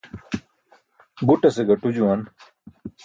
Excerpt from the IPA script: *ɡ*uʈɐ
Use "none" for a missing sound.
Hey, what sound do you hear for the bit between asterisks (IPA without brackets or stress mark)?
b